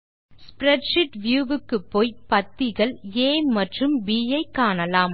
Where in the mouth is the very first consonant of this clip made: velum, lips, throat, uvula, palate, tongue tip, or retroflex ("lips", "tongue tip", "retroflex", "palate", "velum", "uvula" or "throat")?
tongue tip